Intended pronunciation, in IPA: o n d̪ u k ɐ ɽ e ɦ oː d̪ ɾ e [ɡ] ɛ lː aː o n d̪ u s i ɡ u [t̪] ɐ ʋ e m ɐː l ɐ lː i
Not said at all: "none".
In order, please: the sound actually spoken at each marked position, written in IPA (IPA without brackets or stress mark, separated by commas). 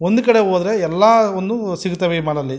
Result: none, t̪